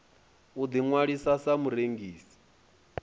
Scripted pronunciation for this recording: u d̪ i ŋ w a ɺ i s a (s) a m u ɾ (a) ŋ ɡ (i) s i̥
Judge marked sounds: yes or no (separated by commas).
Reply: yes, no, no